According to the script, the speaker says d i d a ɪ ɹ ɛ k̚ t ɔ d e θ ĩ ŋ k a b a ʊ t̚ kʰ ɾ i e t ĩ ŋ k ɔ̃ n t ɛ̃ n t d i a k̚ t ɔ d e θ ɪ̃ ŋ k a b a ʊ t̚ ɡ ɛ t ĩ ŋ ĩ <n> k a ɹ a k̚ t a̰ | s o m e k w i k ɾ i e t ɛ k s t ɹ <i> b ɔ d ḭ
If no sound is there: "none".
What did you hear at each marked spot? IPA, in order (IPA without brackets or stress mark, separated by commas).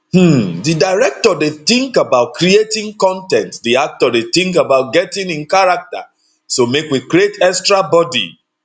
n, a